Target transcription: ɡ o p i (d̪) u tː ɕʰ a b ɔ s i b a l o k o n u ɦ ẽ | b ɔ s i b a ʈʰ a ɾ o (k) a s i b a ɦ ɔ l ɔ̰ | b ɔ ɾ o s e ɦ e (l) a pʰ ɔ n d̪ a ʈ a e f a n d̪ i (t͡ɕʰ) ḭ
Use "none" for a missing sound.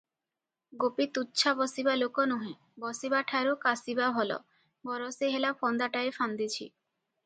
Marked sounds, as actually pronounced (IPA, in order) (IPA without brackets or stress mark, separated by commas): t̪, k, l, t͡ɕʰ